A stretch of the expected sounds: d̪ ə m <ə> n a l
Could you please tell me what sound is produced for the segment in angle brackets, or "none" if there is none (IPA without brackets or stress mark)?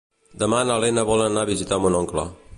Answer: a